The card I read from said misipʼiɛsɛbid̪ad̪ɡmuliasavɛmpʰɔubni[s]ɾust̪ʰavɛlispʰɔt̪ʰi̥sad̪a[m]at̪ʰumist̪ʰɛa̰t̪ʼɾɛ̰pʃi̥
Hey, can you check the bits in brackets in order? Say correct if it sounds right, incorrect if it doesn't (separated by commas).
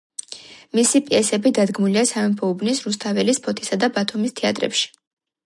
correct, incorrect